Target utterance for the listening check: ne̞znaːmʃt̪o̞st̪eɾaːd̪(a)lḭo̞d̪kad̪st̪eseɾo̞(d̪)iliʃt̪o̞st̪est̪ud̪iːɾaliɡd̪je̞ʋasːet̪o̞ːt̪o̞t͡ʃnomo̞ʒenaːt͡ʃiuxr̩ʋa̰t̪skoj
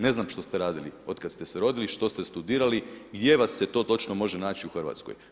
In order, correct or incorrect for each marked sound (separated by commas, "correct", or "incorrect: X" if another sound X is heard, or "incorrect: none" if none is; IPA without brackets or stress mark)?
incorrect: i, correct